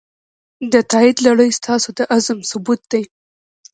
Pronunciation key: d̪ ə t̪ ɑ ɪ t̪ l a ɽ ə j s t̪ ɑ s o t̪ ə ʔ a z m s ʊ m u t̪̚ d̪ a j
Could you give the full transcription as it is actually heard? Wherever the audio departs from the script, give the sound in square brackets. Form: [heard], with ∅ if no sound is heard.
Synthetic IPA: d̪ ə t̪ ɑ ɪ [d̪] l a ɽ ə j s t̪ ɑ s o [d̪] ə ʔ a z m s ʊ [b] u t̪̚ d̪ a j